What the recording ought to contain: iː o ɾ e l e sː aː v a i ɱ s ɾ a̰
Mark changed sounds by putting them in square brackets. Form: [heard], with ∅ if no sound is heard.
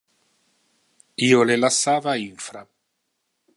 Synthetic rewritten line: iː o [l] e l [a] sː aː v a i ɱ [f] ɾ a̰

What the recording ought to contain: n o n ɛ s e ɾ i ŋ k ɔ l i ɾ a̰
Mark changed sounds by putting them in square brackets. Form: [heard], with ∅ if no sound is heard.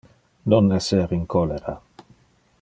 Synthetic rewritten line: n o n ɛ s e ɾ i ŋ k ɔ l [e] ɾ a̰

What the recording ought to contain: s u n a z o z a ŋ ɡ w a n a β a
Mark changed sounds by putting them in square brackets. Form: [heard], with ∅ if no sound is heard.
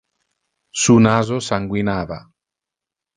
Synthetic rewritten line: s u n a z o [s] a ŋ ɡ w [i] n a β a

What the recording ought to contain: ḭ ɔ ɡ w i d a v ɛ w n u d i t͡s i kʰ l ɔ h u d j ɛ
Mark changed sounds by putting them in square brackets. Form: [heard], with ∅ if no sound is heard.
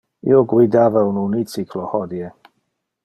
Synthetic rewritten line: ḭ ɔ ɡ w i d a v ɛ w n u [n] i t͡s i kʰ l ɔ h [ɔ] d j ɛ

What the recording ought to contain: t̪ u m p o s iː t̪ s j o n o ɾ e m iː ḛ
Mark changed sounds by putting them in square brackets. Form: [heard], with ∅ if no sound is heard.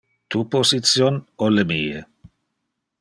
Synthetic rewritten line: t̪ u [∅] p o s [i] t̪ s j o n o [l] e m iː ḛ

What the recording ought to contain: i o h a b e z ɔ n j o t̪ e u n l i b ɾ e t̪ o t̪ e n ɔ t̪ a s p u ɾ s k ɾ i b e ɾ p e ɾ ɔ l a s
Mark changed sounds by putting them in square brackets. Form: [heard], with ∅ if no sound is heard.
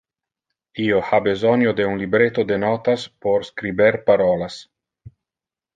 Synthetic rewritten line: i o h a b e z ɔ n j o [d̪] e u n l i b ɾ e t̪ o [d̪] e n ɔ t̪ a s p [o] ɾ s k ɾ i b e ɾ p [a] ɾ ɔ l a s

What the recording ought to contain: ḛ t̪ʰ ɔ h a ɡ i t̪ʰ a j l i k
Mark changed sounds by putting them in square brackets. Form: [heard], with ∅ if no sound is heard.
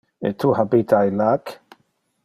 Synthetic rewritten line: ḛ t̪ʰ [u] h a [b] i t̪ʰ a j l [a] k

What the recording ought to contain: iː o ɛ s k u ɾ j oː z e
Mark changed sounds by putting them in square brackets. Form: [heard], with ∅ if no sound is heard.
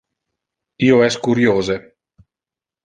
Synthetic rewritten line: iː o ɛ s k u ɾ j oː z e

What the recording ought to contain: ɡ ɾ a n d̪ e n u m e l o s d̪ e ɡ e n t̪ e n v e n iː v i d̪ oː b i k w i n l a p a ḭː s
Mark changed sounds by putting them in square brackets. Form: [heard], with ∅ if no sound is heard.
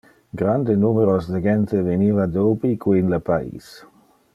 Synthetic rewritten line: ɡ ɾ a n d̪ e n u m e [ɾ] o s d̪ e ɡ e n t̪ e [∅] v e n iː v [a] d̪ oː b i k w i n l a p a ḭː s

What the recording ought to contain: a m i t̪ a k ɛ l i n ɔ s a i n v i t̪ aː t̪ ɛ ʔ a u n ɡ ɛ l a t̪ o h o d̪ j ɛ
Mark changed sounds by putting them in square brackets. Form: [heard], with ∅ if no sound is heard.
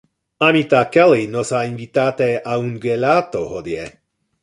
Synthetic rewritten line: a m i t̪ a k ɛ l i n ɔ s a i n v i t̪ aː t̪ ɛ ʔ a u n ɡ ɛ l a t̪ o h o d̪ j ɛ

